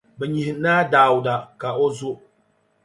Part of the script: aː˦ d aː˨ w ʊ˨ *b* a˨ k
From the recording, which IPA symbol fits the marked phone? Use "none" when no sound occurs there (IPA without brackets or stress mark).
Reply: d